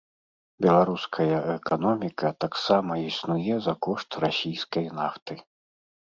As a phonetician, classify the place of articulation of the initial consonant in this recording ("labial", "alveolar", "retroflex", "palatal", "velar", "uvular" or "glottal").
labial